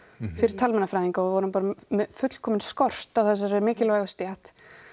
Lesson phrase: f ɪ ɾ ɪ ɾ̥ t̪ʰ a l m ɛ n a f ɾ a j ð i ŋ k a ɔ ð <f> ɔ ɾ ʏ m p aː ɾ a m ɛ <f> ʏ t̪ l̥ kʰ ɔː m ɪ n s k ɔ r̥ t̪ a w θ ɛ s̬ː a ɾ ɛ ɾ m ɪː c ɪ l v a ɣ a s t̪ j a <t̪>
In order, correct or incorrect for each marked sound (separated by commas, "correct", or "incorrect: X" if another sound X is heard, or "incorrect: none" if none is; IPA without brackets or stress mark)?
incorrect: v, correct, correct